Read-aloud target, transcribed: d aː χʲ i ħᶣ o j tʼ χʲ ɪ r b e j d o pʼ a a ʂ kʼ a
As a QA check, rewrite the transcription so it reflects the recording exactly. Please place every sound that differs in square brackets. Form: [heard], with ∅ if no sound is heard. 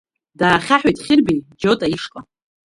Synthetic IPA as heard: d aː χʲ [a] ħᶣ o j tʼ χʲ ɪ r b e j [d͡ʒ] o [tʼ] a [i] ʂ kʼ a